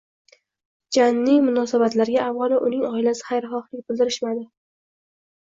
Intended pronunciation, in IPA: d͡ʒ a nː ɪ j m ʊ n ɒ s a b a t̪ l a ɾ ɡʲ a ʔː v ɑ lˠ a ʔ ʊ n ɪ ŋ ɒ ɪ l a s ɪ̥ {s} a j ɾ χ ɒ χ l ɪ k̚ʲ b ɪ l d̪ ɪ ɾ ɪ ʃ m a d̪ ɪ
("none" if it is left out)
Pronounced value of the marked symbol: χ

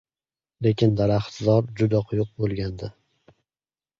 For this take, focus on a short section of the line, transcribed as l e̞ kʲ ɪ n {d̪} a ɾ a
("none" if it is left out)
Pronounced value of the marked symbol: d̪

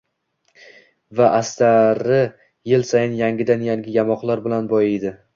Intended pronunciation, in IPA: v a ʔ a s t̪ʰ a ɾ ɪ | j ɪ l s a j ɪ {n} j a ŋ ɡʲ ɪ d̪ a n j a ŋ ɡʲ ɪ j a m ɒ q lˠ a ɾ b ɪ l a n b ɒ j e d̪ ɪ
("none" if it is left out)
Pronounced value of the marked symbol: n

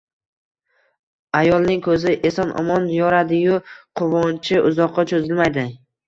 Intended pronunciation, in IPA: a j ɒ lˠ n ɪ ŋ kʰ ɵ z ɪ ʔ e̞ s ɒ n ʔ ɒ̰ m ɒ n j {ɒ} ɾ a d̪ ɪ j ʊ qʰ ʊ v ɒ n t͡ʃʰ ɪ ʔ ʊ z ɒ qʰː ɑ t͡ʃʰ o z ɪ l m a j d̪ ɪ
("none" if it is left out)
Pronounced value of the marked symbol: ɒ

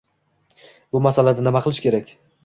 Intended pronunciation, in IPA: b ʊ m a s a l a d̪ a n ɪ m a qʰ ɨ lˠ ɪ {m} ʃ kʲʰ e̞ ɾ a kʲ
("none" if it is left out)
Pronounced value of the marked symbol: none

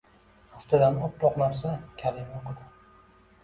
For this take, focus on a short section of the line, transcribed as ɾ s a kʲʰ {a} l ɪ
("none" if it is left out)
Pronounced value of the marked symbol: a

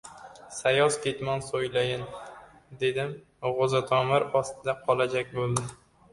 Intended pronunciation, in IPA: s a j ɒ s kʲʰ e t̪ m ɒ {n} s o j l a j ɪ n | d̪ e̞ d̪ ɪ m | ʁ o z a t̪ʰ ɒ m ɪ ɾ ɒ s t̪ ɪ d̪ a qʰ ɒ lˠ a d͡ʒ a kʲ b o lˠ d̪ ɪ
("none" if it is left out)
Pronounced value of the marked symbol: n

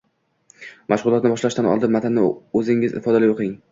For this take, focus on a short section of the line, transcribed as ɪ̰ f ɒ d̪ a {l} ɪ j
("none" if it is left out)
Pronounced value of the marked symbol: l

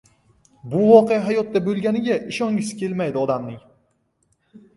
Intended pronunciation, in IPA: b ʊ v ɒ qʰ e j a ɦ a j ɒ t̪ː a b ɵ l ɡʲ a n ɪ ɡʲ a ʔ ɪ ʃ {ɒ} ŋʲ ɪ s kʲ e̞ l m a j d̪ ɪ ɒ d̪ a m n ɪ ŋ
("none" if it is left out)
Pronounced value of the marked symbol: ɒ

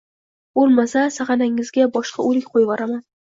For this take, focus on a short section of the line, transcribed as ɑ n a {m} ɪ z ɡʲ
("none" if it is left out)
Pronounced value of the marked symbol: ŋ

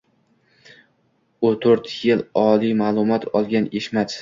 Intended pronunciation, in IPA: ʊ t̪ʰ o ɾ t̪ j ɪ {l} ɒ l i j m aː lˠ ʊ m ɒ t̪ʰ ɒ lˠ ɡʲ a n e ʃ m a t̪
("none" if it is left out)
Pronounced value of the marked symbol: l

